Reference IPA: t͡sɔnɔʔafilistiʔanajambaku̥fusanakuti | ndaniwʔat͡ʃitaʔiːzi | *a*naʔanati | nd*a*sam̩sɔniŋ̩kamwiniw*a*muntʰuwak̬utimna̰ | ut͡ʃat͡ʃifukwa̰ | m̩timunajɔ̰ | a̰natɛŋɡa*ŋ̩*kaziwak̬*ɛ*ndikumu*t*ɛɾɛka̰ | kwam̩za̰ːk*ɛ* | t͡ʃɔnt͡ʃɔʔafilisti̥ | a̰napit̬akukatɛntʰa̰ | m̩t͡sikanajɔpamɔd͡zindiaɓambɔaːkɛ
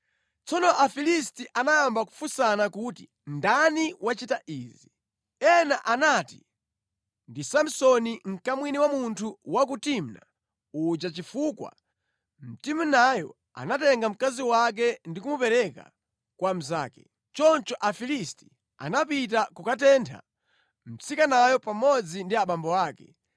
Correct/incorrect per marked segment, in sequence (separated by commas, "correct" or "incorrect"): incorrect, incorrect, correct, incorrect, correct, incorrect, correct